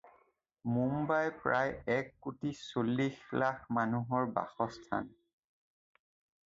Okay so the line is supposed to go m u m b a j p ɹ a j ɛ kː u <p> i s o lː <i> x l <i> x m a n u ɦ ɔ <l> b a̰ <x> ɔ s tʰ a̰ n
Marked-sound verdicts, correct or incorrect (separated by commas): incorrect, correct, incorrect, incorrect, correct